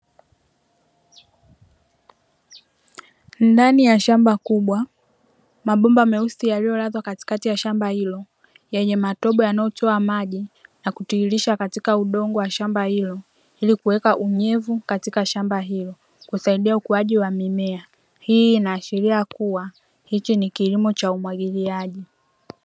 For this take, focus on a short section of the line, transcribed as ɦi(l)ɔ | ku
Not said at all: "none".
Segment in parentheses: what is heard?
l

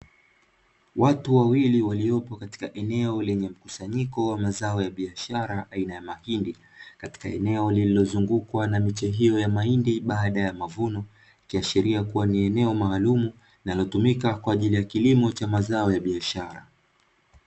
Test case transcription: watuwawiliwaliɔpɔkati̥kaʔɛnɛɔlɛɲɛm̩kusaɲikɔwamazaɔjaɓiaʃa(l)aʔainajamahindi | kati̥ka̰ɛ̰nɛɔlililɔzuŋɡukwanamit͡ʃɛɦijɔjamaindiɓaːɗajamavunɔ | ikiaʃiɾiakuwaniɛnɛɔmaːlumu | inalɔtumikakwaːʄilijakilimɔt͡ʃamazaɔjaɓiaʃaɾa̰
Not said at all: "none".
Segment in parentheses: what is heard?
ɾ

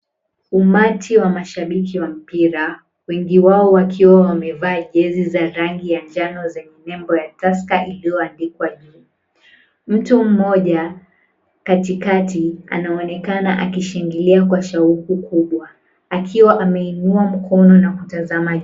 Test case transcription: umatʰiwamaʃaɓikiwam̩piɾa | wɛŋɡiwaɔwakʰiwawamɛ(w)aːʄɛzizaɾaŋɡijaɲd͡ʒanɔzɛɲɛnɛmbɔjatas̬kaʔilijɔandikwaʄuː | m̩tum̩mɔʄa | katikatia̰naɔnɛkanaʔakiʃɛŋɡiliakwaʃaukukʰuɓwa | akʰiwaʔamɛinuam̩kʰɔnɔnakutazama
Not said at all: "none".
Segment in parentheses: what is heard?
v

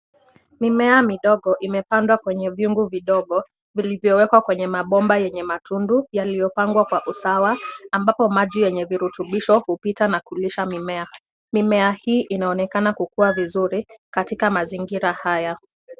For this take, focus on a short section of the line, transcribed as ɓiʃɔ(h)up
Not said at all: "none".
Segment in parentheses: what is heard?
h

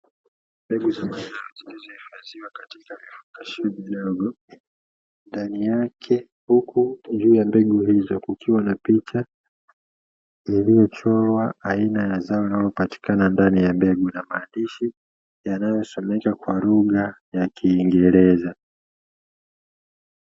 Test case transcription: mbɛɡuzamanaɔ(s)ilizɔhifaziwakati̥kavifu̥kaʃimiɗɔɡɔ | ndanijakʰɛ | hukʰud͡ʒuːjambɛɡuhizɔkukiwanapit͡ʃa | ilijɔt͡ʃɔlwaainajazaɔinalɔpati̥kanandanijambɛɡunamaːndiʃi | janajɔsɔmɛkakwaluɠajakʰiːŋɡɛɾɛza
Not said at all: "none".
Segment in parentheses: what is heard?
z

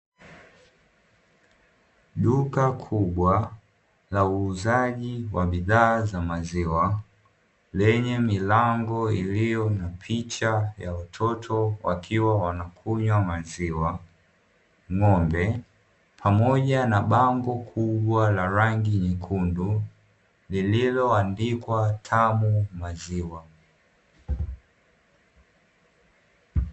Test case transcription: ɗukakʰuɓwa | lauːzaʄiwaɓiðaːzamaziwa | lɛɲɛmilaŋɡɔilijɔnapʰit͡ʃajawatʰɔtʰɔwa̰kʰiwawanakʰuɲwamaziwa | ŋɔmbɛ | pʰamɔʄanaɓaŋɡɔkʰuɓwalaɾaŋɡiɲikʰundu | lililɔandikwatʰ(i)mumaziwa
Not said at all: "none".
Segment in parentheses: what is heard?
a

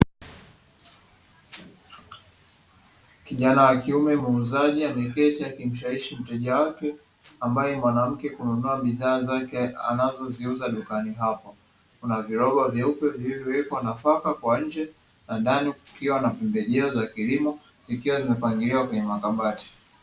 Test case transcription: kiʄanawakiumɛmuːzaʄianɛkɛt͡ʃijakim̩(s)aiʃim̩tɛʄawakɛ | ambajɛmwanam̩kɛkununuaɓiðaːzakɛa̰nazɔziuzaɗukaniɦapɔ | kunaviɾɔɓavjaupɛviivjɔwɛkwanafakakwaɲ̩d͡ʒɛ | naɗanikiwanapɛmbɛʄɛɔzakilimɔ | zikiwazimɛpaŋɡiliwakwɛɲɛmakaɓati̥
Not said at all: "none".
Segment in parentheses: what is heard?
ʃ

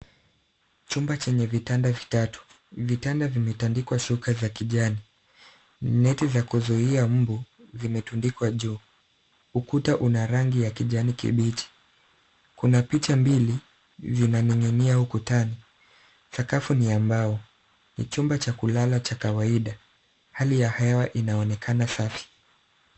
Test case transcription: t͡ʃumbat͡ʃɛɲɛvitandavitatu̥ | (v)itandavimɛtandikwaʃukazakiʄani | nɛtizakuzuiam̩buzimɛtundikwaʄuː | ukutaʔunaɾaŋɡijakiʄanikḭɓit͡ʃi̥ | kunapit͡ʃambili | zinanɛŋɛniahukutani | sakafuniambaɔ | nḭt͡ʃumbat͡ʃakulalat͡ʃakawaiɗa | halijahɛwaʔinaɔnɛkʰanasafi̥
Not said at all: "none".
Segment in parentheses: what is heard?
v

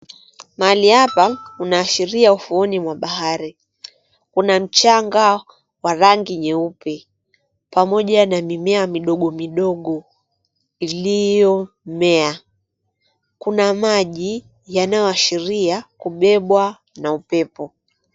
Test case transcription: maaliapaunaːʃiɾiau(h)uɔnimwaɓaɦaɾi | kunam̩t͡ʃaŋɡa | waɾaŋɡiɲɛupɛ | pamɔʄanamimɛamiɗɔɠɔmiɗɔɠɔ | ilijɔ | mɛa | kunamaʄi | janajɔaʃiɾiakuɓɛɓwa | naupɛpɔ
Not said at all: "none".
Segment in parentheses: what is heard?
f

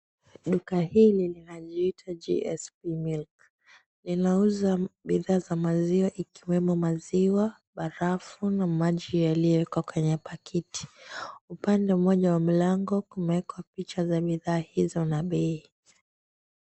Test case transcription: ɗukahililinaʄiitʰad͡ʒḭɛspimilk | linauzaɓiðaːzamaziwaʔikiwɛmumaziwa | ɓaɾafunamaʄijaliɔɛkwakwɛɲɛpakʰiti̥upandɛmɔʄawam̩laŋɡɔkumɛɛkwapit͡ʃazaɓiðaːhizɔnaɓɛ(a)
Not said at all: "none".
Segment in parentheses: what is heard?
i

